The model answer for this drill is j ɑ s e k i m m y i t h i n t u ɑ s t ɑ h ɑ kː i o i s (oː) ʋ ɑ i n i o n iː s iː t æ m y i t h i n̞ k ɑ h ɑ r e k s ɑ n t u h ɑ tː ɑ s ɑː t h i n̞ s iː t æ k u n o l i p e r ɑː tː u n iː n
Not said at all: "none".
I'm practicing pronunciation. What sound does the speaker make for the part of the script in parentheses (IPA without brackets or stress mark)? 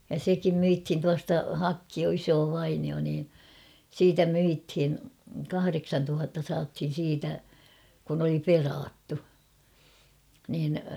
oː